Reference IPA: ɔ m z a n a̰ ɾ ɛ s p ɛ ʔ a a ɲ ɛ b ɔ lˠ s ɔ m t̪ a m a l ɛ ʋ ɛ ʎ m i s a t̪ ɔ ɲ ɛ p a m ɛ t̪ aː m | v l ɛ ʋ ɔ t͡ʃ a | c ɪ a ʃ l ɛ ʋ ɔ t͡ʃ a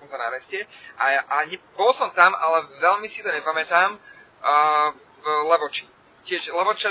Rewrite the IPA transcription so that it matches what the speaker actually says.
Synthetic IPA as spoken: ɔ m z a n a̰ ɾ ɛ s c ɛ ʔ a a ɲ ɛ b ɔ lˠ s ɔ m t̪ a m a l ɛ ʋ ɛ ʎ m i s i t̪ ɔ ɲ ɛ p a m ɛ t̪ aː m | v l ɛ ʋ ɔ t͡ʃ i | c ɪ ɛ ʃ l ɛ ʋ ɔ t͡ʃ a